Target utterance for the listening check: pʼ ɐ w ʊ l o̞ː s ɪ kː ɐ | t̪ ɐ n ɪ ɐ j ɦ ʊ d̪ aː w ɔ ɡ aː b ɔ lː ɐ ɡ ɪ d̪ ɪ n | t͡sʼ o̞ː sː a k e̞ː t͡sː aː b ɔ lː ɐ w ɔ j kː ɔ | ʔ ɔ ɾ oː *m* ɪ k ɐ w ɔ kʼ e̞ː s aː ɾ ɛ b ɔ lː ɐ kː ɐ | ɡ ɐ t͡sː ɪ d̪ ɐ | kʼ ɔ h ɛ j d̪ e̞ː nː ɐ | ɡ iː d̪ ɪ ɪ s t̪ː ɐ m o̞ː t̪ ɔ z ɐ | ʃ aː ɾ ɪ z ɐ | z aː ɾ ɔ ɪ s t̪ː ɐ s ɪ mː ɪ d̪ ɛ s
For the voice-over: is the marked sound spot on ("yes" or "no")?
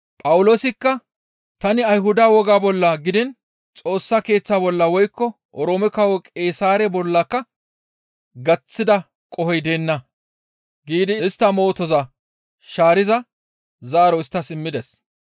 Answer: yes